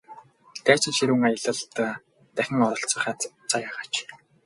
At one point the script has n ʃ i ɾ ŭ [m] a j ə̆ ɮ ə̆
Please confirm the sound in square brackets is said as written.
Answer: no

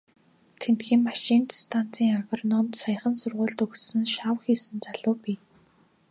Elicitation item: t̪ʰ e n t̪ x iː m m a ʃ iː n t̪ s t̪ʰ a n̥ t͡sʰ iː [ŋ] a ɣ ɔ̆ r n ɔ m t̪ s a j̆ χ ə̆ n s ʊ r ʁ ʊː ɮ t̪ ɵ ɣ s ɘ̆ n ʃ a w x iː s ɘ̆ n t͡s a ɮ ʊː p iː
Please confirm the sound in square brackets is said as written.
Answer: yes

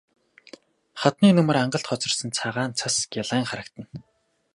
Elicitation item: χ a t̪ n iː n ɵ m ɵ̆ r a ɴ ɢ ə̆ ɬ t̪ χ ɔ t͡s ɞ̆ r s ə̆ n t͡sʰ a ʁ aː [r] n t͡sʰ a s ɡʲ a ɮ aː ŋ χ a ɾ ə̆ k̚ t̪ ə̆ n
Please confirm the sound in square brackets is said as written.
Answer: no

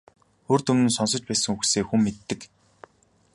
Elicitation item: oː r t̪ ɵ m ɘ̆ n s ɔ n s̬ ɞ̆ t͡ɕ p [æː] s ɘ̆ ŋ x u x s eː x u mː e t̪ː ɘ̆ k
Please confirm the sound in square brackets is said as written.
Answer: yes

